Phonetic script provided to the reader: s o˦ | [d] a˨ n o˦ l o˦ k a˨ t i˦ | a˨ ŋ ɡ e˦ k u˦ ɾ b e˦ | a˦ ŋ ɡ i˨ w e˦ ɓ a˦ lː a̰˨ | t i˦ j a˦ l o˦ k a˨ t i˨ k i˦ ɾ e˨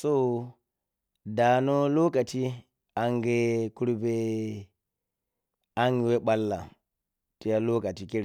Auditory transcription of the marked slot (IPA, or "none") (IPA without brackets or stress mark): d